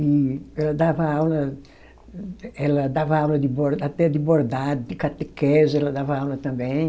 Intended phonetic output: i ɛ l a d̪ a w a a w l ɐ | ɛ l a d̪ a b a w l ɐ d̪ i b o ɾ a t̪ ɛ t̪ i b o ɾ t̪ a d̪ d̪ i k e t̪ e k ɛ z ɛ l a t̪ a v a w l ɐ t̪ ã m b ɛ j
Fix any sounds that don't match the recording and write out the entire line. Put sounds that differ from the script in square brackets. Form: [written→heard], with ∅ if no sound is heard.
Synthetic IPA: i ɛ l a d̪ a [w→v] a a w l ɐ | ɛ l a d̪ a [b→v] a w l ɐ d̪ i b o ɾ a t̪ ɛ [t̪→d̪] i b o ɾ [t̪→d̪] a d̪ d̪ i k [e→a] t̪ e k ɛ z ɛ l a [t̪→d̪] a v a w l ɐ t̪ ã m b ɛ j